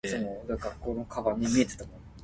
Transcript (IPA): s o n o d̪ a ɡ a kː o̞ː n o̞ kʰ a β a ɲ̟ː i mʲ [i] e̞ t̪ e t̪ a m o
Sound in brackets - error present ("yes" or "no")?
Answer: no